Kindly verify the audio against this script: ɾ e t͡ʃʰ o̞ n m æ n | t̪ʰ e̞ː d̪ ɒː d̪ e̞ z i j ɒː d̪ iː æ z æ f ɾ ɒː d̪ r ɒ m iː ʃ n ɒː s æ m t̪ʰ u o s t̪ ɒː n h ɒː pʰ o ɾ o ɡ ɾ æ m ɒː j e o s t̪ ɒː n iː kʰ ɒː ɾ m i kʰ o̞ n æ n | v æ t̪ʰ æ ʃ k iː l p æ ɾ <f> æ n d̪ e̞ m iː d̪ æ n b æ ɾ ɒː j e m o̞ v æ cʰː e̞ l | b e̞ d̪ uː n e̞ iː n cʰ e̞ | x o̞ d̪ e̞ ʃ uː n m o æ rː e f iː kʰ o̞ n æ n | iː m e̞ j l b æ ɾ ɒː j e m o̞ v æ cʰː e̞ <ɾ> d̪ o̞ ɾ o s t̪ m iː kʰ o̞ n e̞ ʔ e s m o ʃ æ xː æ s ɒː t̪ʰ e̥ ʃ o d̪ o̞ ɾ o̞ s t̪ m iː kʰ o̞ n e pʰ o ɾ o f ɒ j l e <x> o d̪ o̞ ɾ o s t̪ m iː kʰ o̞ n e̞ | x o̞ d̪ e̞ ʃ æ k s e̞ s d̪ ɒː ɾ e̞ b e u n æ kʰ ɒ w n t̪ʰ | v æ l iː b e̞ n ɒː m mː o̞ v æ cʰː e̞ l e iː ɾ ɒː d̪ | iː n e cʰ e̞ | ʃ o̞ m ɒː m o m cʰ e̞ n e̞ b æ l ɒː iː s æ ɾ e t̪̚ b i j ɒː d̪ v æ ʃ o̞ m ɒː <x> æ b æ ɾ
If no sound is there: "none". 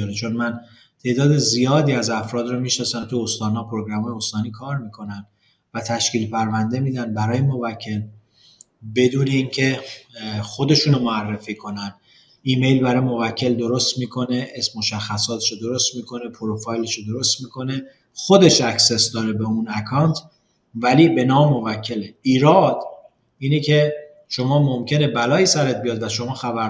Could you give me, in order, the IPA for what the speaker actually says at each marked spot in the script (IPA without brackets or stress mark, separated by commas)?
v, l, ʃ, x